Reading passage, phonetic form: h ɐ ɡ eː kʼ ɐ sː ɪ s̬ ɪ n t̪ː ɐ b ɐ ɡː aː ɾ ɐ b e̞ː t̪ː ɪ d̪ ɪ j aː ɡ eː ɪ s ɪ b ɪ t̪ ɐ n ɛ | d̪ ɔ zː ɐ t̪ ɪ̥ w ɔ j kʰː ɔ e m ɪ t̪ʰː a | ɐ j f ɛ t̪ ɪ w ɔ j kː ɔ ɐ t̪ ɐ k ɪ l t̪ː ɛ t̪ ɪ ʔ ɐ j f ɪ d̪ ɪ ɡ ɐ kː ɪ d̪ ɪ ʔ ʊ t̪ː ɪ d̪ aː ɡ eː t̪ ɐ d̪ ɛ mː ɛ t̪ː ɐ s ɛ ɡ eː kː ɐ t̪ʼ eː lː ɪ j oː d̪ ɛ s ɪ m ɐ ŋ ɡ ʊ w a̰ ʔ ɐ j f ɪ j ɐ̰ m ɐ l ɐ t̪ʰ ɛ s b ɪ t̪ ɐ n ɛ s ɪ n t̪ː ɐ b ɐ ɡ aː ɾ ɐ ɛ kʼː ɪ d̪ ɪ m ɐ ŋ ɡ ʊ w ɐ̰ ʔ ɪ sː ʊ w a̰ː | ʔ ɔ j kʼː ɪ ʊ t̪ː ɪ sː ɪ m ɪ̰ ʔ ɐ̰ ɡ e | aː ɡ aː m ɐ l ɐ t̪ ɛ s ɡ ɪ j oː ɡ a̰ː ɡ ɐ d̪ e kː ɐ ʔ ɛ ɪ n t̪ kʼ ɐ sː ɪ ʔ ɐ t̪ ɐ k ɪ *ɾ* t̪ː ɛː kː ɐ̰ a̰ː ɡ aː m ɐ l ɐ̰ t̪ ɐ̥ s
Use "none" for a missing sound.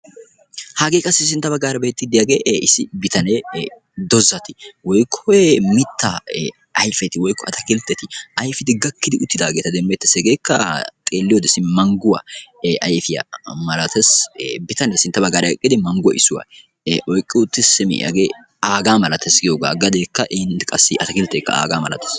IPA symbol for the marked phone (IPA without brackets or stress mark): l